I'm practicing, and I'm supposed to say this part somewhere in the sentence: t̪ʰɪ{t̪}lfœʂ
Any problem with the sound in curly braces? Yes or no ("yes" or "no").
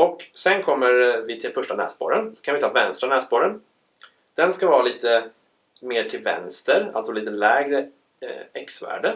yes